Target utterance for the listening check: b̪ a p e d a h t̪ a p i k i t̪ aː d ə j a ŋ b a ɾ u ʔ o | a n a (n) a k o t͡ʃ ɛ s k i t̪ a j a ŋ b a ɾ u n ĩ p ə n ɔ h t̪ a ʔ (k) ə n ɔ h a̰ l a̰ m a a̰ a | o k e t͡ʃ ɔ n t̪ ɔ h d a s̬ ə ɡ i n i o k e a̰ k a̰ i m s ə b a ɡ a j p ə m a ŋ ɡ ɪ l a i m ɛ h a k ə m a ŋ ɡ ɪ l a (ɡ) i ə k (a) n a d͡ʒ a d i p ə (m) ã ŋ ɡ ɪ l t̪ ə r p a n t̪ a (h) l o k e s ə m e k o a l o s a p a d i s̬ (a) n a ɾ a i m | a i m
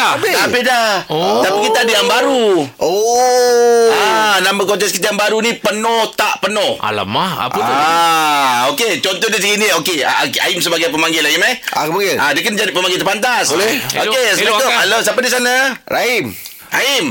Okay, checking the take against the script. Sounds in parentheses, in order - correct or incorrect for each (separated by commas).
incorrect, incorrect, incorrect, incorrect, correct, incorrect, correct